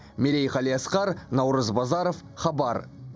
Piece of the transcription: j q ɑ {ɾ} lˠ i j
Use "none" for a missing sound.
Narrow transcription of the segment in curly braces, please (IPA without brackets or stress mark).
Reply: none